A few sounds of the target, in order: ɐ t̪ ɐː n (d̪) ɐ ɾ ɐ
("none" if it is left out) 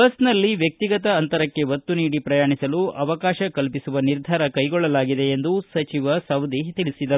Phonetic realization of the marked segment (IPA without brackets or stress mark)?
t̪